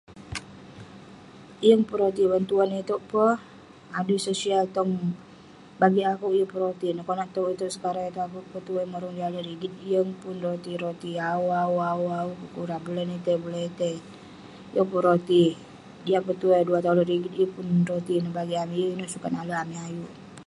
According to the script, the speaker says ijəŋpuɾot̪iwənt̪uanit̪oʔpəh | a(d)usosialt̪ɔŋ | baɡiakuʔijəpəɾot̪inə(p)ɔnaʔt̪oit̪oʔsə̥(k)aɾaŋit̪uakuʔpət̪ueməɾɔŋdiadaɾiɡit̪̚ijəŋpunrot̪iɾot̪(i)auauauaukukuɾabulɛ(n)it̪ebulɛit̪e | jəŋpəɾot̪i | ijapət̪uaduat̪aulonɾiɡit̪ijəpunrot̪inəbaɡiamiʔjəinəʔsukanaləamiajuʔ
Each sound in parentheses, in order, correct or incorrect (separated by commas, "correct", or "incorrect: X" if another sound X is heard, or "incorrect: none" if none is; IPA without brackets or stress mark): correct, incorrect: k, correct, correct, correct